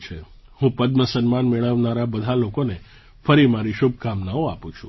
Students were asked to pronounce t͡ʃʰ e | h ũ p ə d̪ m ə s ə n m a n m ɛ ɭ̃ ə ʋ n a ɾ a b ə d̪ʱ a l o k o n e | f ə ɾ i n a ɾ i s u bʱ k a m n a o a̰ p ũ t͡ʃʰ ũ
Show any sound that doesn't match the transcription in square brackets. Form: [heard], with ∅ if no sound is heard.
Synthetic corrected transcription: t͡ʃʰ e | h ũ p ə d̪ m ə s ə n m a n m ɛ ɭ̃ ə ʋ n a ɾ a b ə d̪ʱ a l o k o n e | f ə ɾ i [m] a ɾ i [ʃ] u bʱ k a m n a o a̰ p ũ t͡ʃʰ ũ